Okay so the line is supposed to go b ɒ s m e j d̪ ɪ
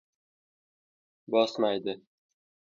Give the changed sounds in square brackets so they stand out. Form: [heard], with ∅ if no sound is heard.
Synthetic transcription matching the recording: b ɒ s m [a] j d̪ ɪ